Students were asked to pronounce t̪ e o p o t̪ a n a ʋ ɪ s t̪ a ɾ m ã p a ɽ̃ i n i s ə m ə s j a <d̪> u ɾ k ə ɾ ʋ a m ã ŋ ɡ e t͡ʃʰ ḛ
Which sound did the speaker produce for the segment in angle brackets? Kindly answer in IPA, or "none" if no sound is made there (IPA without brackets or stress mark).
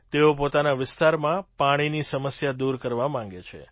d̪